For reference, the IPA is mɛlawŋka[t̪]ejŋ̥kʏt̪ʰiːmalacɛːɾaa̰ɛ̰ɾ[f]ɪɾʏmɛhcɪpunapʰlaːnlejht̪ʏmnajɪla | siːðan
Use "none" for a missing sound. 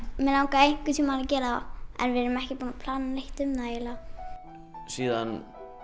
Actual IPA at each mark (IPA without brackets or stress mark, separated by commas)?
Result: none, v